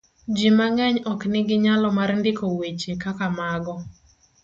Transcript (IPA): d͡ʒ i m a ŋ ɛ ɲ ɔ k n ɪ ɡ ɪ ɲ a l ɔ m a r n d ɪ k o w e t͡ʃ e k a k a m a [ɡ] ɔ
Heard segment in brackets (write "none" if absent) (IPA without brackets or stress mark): ɡ